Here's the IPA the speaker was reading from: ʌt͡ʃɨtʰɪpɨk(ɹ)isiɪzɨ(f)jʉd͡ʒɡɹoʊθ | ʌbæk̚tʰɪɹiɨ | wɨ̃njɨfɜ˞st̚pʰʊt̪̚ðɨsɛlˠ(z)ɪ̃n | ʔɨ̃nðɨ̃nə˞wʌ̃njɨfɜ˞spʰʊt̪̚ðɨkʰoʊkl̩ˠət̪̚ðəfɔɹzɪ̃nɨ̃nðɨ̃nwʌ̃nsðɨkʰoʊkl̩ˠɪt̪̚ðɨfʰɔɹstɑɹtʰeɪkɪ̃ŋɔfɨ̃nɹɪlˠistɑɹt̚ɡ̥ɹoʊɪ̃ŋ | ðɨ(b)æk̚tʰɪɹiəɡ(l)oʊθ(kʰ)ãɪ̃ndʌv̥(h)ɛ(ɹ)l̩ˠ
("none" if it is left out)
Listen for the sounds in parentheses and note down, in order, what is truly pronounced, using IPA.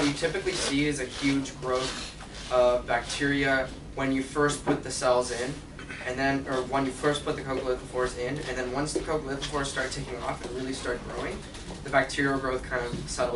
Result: l, h, z, b, ɹ, kʰ, s, ɾ

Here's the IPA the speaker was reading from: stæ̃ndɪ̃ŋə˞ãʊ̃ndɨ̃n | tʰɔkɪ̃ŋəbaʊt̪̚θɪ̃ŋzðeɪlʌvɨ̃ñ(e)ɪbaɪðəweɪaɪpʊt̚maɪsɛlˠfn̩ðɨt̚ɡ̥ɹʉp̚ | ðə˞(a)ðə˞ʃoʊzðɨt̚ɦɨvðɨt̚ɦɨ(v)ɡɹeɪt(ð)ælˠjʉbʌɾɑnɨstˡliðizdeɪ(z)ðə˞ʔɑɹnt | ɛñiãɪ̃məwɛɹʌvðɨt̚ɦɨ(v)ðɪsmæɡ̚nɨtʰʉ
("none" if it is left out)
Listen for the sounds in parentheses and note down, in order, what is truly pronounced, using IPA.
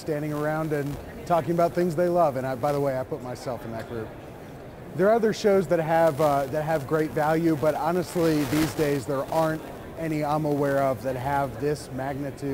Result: a, ʌ, v, v, z, v

